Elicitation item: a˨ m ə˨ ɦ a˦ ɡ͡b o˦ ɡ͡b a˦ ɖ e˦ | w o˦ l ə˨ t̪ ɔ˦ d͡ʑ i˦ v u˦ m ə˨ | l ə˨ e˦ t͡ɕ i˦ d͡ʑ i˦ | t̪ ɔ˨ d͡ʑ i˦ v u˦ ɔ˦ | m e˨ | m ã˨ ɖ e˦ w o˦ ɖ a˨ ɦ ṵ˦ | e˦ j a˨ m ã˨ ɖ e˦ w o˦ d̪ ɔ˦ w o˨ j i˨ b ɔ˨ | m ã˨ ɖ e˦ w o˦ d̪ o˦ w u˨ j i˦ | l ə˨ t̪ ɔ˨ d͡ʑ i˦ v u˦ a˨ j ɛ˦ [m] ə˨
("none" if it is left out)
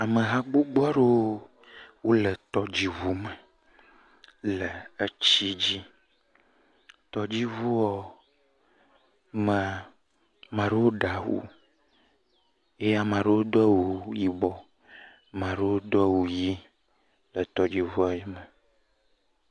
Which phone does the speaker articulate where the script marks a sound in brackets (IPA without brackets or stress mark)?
m